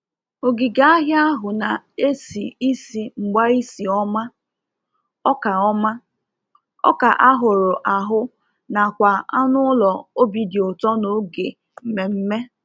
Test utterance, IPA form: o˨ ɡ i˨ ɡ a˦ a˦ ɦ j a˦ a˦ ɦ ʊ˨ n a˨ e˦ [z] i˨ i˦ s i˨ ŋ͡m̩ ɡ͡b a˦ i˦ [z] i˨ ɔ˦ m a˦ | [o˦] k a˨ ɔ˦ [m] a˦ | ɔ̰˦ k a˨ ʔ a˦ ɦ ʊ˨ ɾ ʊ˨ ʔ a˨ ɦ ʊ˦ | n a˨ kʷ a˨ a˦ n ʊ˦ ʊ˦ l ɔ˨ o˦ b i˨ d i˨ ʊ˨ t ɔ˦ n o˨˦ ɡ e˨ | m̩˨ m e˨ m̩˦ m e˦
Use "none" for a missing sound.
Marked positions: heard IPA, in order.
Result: s, s, ɔ˦, m

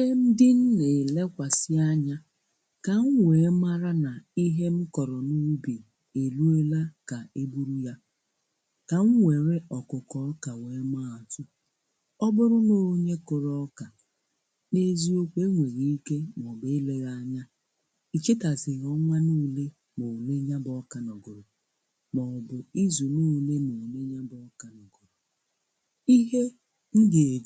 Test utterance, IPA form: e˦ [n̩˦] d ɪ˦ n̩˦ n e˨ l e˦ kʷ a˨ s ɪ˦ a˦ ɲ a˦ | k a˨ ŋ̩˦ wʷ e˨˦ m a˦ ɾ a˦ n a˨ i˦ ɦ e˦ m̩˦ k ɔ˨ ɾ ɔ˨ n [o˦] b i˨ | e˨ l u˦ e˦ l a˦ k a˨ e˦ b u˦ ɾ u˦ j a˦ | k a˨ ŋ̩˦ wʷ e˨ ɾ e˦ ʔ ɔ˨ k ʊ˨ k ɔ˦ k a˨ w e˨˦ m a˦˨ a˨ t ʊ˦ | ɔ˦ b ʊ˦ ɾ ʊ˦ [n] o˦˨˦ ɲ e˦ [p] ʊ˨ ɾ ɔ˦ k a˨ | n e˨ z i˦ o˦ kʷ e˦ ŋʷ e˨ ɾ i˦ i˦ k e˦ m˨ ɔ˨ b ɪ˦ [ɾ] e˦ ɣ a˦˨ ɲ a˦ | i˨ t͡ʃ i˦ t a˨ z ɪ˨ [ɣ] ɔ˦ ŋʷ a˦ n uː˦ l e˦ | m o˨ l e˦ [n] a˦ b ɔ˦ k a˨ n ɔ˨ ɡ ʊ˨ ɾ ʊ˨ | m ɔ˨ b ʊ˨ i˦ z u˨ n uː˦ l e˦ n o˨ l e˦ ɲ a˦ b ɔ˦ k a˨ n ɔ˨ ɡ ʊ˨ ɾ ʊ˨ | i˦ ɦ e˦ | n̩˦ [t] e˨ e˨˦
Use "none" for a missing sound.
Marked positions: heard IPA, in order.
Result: m̩˦, u˦, n, k, l, ɣ, ɲ, d

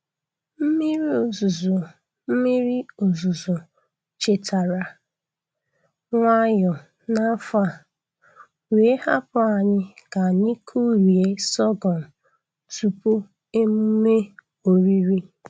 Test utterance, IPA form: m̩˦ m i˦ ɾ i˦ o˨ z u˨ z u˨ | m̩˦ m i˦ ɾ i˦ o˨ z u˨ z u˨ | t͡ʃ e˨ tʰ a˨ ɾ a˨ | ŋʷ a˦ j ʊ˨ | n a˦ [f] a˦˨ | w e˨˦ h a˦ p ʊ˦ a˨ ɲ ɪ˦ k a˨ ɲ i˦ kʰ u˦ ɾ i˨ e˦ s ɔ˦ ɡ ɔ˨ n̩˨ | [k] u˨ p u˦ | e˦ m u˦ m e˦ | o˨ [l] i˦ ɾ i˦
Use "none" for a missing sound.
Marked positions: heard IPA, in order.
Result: f, t, ɾ

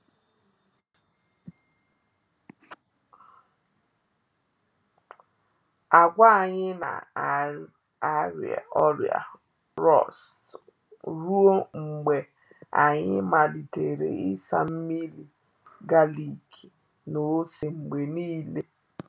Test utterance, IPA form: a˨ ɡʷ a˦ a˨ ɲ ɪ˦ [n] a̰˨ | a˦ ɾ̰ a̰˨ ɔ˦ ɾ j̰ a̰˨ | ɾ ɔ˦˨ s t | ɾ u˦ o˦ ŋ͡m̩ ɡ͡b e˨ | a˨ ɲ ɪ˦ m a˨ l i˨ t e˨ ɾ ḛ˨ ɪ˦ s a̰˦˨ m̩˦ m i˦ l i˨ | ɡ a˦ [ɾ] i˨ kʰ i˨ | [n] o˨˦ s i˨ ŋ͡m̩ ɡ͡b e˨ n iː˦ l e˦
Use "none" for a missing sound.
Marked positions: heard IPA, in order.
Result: n, l, n

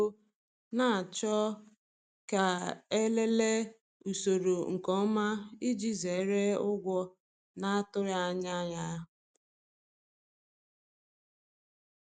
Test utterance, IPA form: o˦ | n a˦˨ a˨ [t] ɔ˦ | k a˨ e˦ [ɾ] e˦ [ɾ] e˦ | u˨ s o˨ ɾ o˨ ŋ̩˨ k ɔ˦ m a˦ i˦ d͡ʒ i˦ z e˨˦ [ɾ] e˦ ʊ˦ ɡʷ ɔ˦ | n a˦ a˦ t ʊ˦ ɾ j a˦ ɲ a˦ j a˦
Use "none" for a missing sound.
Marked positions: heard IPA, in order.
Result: t͡ʃ, l, l, ɾ

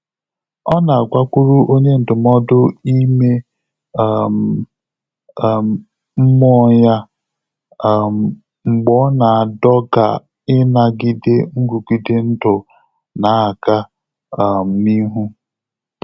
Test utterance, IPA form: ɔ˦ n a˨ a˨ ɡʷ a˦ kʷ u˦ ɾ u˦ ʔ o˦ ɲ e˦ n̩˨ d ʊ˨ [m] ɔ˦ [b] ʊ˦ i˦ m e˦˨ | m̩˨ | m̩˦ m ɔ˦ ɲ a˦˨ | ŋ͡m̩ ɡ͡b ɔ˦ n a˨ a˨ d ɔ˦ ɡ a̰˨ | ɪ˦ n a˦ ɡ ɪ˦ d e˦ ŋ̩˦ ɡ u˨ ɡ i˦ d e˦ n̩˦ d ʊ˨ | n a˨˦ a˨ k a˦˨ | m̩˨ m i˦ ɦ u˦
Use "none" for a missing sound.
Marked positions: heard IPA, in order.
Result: m, d

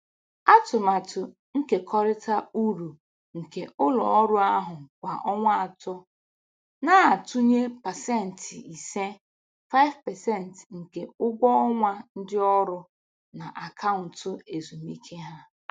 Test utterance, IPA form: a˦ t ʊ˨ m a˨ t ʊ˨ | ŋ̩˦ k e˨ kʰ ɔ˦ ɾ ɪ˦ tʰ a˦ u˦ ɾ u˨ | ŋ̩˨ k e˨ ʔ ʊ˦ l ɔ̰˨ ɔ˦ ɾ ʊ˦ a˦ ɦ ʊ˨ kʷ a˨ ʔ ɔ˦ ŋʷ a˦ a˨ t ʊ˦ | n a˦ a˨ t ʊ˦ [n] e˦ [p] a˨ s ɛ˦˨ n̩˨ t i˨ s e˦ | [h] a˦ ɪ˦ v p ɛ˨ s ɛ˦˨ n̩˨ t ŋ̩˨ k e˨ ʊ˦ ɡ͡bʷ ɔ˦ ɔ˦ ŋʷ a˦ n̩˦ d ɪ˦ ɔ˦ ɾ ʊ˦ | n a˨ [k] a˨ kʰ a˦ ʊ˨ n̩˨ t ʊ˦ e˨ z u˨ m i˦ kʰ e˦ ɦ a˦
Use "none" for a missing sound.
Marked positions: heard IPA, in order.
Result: ɲ, p, f, ʔ

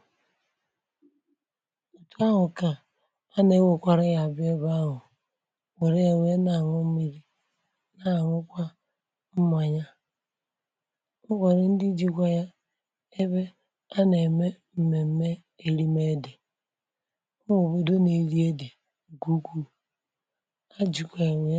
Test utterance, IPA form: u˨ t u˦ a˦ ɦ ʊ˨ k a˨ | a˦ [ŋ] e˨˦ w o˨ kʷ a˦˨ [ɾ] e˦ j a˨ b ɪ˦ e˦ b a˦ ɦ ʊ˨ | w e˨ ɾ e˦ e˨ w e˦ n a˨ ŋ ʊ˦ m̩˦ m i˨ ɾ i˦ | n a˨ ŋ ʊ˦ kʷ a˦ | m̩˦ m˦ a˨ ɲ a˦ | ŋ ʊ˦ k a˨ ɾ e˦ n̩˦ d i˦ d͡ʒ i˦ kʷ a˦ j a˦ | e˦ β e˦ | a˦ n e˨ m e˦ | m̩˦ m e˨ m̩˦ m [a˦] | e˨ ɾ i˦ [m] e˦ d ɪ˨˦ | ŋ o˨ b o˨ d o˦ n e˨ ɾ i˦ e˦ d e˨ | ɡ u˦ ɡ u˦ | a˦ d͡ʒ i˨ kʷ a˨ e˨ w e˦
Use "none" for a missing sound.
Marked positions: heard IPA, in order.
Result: n, ɾ, e˦, m

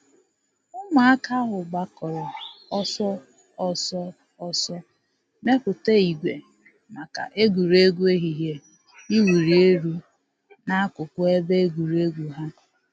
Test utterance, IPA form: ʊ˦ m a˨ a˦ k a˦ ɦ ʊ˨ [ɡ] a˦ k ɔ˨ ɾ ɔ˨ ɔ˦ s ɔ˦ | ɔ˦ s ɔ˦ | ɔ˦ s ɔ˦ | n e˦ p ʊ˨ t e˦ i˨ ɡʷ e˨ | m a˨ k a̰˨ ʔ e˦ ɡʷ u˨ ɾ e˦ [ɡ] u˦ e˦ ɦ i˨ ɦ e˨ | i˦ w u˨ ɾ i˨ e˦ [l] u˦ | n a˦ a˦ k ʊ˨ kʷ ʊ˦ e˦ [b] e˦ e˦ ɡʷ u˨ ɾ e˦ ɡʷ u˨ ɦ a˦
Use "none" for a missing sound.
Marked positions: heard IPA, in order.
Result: ɡ͡b, ɡ, ɾ, b

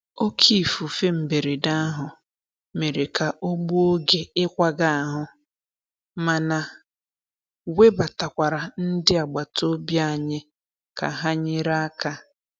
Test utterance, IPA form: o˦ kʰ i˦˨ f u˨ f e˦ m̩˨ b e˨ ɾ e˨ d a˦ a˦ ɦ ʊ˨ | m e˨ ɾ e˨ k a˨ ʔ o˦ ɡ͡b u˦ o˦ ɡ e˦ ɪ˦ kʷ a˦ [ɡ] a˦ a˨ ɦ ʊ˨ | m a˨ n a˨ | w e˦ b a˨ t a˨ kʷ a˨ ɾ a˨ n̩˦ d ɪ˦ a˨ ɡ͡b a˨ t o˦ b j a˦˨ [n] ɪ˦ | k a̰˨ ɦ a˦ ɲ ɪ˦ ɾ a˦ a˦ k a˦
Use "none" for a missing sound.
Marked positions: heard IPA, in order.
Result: ɡ, ɲ

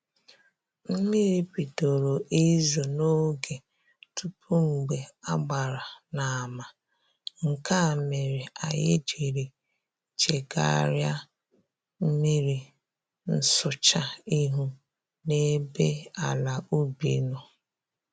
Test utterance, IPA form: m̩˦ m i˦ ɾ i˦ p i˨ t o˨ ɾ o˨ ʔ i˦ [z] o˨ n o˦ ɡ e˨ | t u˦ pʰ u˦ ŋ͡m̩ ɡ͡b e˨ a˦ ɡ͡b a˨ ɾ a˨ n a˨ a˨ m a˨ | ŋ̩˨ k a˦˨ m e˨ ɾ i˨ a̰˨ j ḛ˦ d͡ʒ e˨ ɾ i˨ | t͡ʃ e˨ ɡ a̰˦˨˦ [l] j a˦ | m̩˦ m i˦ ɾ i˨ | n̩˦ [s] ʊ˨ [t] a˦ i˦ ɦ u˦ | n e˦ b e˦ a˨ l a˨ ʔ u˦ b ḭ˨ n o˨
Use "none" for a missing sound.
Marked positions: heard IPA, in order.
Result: z, ɾ, s, t͡ʃ

